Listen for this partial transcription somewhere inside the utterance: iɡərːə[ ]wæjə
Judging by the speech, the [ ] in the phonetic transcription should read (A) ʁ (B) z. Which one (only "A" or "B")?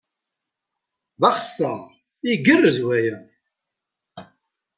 B